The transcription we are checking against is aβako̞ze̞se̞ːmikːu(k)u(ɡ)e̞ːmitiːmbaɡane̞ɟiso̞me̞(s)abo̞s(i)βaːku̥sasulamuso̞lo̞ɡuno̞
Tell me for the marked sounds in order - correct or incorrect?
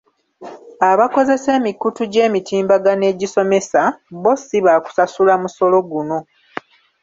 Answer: incorrect: t, incorrect: ɟ, correct, correct

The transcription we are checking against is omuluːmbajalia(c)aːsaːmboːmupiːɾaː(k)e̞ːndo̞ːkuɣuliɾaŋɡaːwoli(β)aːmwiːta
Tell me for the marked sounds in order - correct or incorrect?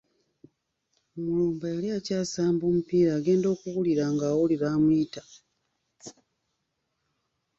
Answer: correct, incorrect: ɡ, correct

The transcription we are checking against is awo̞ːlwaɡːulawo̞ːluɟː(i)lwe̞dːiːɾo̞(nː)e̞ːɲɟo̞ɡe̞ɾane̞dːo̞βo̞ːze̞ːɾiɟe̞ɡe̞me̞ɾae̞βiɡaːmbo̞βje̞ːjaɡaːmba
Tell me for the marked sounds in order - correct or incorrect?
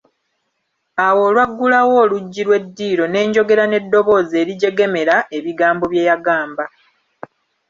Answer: correct, incorrect: n

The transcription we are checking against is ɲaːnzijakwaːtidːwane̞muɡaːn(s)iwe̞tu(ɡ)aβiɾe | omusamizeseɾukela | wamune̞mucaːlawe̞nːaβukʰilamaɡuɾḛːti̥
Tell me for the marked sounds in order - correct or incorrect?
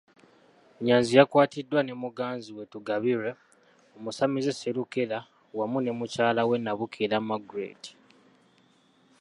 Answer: incorrect: z, correct

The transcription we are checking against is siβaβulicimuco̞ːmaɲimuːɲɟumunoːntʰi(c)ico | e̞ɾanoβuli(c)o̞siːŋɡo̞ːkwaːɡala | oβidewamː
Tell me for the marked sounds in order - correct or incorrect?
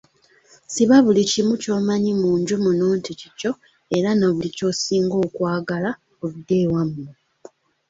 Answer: correct, correct

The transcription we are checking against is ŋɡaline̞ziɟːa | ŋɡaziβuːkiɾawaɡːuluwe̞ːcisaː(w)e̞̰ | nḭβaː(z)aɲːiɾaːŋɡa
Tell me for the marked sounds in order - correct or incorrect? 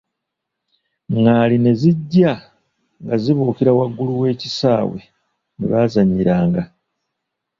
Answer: correct, correct

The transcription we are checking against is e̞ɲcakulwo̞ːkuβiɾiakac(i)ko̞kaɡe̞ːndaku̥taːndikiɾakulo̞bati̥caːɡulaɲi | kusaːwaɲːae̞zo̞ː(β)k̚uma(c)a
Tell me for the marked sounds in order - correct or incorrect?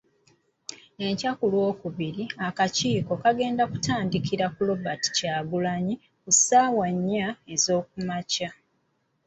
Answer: incorrect: iː, incorrect: none, correct

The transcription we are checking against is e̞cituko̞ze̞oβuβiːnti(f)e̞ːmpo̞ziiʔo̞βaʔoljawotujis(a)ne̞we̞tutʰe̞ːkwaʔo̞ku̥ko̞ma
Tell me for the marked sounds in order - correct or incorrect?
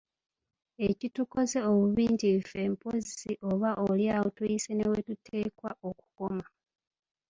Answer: correct, incorrect: e

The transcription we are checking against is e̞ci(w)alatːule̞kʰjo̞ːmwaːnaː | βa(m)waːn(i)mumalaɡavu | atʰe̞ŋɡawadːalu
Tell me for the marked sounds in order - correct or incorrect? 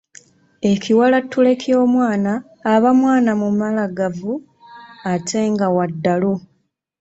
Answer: correct, correct, incorrect: a

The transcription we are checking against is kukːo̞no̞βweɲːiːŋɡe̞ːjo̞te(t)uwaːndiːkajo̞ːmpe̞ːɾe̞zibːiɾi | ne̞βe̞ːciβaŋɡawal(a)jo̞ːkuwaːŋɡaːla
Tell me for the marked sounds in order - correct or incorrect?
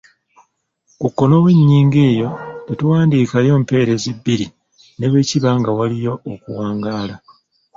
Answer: correct, incorrect: i

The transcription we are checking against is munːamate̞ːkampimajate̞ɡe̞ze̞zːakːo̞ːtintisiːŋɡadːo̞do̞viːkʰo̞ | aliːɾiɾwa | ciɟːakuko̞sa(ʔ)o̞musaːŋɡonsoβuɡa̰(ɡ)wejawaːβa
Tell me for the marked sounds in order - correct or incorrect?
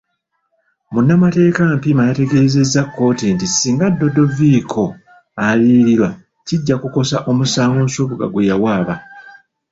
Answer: correct, correct

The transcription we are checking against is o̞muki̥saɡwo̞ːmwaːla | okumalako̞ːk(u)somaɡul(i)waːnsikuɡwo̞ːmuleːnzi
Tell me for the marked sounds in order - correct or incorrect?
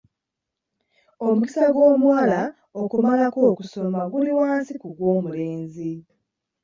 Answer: correct, correct

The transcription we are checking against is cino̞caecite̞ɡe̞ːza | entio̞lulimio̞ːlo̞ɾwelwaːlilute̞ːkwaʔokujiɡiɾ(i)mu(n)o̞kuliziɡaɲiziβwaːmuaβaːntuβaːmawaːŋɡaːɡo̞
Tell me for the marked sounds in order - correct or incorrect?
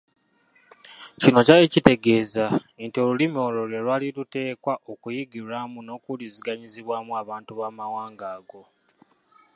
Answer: incorrect: a, correct

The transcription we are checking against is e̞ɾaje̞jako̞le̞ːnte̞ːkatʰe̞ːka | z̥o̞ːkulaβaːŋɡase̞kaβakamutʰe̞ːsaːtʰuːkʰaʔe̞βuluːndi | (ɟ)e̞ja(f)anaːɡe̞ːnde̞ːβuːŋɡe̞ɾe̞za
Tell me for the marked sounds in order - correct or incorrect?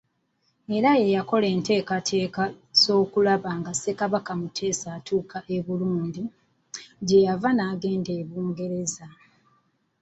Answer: correct, incorrect: v

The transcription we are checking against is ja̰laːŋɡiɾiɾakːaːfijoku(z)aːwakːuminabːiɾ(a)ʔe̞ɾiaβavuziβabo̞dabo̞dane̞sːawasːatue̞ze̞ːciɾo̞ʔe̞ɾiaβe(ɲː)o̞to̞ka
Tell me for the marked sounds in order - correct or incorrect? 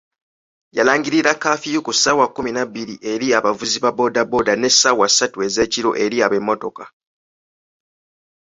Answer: incorrect: s, incorrect: i, incorrect: mː

